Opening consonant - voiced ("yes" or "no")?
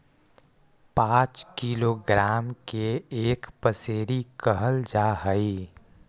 no